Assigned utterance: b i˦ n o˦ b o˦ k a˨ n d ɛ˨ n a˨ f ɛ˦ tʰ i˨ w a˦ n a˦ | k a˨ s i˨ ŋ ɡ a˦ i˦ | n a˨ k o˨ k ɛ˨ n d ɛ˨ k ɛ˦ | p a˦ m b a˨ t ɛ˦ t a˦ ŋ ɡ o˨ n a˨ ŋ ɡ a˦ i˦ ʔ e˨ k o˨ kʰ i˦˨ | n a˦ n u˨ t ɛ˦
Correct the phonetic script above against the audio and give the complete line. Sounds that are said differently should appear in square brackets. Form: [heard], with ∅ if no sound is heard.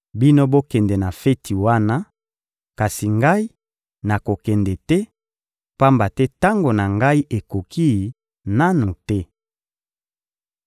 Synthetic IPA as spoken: b i˦ n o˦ b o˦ k [ɛ˨] n d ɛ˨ n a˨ f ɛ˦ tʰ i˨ w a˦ n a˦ | k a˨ s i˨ ŋ ɡ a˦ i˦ | n a˨ k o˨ k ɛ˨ n d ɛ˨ [t] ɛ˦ | p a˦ m b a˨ t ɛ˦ t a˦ ŋ ɡ o˨ n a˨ ŋ ɡ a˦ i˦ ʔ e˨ k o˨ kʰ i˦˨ | n a˦ n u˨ t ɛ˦